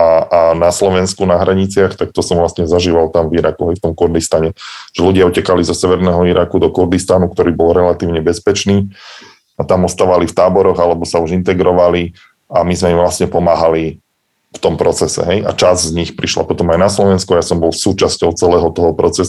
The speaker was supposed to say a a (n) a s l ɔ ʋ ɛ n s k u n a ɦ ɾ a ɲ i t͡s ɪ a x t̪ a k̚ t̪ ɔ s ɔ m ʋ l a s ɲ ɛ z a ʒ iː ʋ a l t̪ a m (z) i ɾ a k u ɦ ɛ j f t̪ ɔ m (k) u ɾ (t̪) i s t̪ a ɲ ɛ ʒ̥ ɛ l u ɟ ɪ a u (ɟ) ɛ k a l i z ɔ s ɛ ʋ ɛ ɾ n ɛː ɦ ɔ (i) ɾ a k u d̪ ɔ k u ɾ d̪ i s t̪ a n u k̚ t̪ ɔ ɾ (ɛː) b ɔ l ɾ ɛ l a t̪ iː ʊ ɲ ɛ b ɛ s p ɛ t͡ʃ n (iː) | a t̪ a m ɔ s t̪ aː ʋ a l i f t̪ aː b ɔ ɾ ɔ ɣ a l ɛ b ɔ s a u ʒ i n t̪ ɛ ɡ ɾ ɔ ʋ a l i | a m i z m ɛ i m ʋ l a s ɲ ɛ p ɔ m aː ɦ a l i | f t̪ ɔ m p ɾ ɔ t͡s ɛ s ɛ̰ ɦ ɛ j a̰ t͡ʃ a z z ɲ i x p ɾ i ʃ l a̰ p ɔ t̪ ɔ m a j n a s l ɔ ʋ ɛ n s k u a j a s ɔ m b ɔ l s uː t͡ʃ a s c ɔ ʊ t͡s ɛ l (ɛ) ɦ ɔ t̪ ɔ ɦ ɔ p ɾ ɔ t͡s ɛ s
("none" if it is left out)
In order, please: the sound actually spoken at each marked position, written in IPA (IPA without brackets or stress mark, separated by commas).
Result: n, v, k, d̪, c, i, iː, iː, ɛː